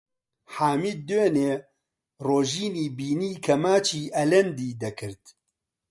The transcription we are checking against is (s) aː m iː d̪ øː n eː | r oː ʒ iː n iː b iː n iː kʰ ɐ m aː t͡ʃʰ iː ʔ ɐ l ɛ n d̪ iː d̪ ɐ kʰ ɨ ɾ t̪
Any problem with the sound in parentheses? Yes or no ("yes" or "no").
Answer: yes